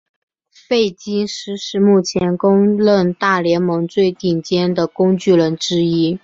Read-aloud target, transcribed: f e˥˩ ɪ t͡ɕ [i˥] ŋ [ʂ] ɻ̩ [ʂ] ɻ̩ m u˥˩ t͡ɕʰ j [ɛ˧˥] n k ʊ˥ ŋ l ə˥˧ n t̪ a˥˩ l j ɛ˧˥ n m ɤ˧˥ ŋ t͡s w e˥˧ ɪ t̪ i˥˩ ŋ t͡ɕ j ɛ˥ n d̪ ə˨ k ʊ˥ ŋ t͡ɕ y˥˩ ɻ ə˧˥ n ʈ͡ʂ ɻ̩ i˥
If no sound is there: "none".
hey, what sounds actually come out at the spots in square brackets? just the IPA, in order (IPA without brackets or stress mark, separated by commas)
i˥, ʂ, ʂ, ɛ˧˥